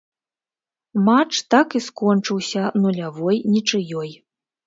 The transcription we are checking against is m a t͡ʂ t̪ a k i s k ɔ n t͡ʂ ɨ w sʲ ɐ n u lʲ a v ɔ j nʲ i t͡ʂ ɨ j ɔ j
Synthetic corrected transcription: m a t͡ʂ t̪ a k i s k ɔ n t͡ʂ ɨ w sʲ ɐ n u lʲ a v ɔ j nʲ i t͡ʂ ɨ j ɔ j

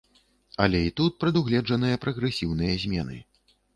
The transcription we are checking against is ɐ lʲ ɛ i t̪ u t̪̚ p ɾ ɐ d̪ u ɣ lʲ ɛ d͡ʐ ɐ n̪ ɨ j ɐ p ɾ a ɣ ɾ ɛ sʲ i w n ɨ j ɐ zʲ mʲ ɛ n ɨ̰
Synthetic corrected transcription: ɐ lʲ ɛ i t̪ u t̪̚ p ɾ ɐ d̪ u ɣ lʲ ɛ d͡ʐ ɐ n̪ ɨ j ɐ p ɾ ɐ ɣ ɾ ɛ sʲ i w n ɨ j ɐ zʲ mʲ ɛ n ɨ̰

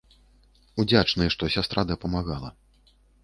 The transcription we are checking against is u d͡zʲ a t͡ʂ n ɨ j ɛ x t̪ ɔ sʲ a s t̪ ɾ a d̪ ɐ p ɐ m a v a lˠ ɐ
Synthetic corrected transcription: u d͡zʲ a t͡ʂ n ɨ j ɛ ʂ t̪ ɔ sʲ a s t̪ ɾ a d̪ ɐ p ɐ m a ɣ a lˠ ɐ

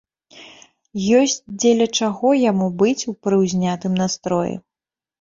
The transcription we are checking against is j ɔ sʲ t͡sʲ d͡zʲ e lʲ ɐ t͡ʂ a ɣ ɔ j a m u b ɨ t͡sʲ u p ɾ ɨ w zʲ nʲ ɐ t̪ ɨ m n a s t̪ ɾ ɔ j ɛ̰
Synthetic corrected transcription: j ɔ sʲ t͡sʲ d͡zʲ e lʲ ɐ t͡ʂ a ɣ ɔ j a m u b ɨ t͡sʲ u p ɾ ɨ w zʲ nʲ a t̪ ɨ m n a s t̪ ɾ ɔ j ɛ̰

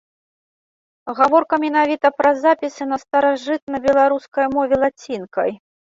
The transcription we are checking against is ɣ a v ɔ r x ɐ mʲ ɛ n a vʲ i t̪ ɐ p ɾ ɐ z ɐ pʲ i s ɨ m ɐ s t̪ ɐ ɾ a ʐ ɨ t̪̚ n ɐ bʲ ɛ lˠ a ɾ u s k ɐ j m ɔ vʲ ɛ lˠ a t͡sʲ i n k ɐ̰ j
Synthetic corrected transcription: ɣ a v ɔ r k ɐ mʲ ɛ n a vʲ i t̪ ɐ p ɾ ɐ z a pʲ i s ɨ n ɐ s t̪ ɐ ɾ a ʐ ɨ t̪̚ n ɐ bʲ ɛ lˠ a ɾ u s k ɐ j m ɔ vʲ ɛ lˠ a t͡sʲ i n k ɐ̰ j

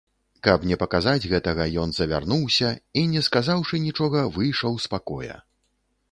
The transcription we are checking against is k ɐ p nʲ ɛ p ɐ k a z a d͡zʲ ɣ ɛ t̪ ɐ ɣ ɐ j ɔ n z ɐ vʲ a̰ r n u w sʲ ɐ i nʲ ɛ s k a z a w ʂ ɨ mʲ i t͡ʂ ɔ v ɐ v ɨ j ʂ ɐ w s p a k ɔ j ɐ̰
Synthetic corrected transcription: k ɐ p nʲ ɛ p ɐ k a z a d͡zʲ ɣ ɛ t̪ ɐ ɣ ɐ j ɔ n z ɐ vʲ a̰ r n u w sʲ ɐ i nʲ ɛ s k a z a w ʂ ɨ nʲ i t͡ʂ ɔ ɣ ɐ v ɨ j ʂ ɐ w s p a k ɔ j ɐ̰

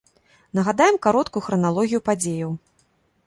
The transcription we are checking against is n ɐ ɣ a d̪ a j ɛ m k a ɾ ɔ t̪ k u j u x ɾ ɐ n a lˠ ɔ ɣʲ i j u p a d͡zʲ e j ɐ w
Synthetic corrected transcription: n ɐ ɣ a d̪ a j ɛ m k a ɾ ɔ t̪ k u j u x ɾ ɐ n a lˠ ɔ ɣʲ i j u p a d͡zʲ e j ɐ w

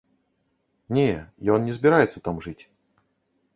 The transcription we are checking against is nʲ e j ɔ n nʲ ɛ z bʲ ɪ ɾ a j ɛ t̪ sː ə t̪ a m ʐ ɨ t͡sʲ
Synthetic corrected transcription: nʲ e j ɔ n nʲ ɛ z bʲ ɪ ɾ a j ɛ t̪ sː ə t̪ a m ʐ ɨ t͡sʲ

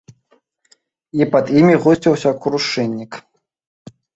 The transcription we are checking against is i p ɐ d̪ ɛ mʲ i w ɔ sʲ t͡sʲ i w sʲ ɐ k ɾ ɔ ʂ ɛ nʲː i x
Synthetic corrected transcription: i p ɐ d̪ i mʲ i ɣ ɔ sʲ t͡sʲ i w sʲ ɐ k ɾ u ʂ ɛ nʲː i k

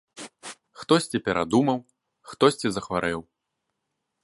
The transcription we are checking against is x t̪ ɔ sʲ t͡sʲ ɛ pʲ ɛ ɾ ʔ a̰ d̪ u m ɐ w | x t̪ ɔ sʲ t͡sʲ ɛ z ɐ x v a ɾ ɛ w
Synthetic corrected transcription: x t̪ ɔ sʲ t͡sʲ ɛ pʲ ɛ ɾ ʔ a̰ d̪ u m ɐ w | x t̪ ɔ sʲ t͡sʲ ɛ z ɐ x v a ɾ ɛ w

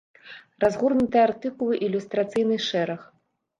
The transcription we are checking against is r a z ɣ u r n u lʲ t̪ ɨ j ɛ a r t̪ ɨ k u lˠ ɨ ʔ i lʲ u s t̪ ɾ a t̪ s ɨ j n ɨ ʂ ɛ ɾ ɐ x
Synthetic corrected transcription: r a z ɣ u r n u t̪ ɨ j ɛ a r t̪ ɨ k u lˠ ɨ ʔ i lʲ u s t̪ ɾ a t̪ s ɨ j n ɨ ʂ ɛ ɾ ɐ x

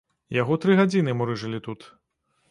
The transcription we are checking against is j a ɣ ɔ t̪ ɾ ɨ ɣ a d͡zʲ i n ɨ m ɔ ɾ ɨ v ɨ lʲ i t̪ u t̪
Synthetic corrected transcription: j a ɣ ɔ t̪ ɾ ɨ ɣ a d͡zʲ i n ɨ m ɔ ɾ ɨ ʐ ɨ lʲ i t̪ u t̪

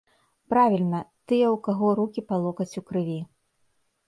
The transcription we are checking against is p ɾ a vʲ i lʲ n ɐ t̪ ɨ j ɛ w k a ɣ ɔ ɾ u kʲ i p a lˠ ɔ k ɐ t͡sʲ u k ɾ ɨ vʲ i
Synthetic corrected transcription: p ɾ a vʲ i lʲ n ɐ t̪ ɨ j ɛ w k a ɣ ɔ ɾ u kʲ i p a lˠ ɔ k ɐ t͡sʲ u k ɾ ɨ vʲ i

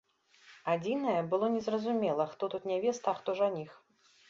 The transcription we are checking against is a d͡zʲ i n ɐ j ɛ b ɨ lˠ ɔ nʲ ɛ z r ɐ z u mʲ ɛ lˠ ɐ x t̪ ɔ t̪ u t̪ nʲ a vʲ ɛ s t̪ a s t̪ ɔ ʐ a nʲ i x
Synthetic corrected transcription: a d͡zʲ i n ɐ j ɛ b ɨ lˠ ɔ nʲ ɛ z r ɐ z u mʲ ɛ lˠ ɐ x t̪ ɔ t̪ u t̪ nʲ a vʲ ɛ s t̪ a x t̪ ɔ ʐ a nʲ i x

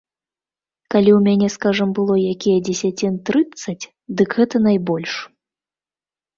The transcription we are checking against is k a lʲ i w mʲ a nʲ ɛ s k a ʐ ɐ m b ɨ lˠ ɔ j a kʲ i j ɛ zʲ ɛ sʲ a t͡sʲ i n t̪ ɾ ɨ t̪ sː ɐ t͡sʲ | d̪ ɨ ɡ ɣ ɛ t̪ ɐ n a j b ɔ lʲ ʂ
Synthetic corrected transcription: k a lʲ i w mʲ a nʲ ɛ s k a ʐ ɐ m b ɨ lˠ ɔ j a kʲ i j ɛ d͡zʲ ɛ sʲ a t͡sʲ i n t̪ ɾ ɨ t̪ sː ɐ t͡sʲ | d̪ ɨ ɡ ɣ ɛ t̪ ɐ n a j b ɔ lʲ ʂ

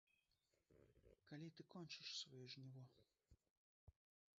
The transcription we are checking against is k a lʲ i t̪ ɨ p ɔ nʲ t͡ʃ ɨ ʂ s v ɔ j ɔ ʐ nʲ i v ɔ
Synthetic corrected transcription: k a lʲ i t̪ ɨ k ɔ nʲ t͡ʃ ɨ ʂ s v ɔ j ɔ ʐ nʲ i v ɔ

